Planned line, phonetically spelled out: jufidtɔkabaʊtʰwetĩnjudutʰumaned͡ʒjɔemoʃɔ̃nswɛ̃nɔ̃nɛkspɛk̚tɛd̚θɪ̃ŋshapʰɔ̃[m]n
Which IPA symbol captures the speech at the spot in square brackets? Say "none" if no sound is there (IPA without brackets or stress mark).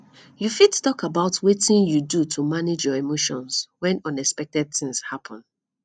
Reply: none